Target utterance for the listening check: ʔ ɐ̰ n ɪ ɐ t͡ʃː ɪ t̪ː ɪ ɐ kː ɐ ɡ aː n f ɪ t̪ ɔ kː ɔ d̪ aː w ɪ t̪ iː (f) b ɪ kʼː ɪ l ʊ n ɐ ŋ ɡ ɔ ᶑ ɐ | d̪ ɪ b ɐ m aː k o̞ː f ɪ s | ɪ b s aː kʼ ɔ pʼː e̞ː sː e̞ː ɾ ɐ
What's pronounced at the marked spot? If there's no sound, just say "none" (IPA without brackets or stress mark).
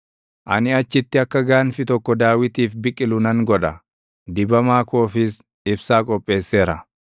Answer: f